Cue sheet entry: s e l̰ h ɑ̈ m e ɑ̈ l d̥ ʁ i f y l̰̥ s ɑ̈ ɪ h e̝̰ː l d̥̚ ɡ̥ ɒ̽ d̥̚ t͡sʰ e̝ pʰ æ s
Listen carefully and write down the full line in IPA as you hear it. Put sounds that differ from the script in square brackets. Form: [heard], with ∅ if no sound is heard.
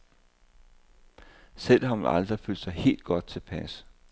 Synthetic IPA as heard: s e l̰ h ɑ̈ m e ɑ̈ l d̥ ʁ i f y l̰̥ s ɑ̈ ɪ h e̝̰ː l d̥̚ ɡ̥ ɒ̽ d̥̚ t͡sʰ e̝ pʰ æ s